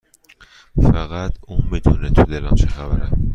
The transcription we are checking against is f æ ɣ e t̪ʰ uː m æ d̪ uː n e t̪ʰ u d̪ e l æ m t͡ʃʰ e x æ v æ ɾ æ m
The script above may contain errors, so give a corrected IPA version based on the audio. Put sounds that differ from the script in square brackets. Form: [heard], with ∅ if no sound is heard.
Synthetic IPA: f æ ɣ [æ] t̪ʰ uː m [i] d̪ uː n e t̪ʰ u d̪ e l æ m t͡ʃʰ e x æ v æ ɾ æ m